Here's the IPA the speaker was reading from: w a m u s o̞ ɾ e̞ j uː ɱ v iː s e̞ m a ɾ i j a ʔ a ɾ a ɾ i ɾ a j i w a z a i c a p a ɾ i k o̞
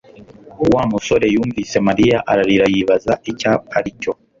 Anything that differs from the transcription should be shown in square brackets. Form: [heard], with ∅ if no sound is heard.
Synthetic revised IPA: w a m u s o̞ ɾ e̞ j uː ɱ v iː s e̞ m a ɾ i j a ʔ a ɾ a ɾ i ɾ a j i [β] a z a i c a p a ɾ i [c] o̞